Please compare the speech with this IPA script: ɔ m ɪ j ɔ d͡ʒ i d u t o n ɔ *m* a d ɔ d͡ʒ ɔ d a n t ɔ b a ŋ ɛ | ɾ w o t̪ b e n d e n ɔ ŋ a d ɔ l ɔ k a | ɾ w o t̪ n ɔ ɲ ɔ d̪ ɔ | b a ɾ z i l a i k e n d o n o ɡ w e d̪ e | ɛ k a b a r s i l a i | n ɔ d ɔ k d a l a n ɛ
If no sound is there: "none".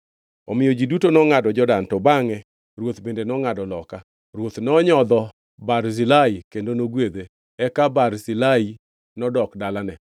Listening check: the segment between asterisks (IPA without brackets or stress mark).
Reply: ŋ